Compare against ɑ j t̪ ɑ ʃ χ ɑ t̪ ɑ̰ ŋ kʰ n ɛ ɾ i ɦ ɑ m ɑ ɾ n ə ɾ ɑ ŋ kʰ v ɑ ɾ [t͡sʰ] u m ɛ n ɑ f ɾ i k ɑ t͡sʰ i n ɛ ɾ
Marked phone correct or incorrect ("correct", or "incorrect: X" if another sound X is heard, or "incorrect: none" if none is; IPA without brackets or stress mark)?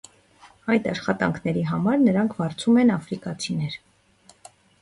correct